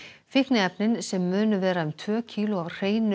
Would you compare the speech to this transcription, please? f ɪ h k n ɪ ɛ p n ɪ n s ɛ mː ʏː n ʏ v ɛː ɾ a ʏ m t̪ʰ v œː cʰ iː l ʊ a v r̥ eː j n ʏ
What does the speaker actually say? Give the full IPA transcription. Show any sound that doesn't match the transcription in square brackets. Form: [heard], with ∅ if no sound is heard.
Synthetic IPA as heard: f ɪ h k n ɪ ɛ p n ɪ n s ɛ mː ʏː n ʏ v ɛː ɾ a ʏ m t̪ʰ v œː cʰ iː l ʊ a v r̥ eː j n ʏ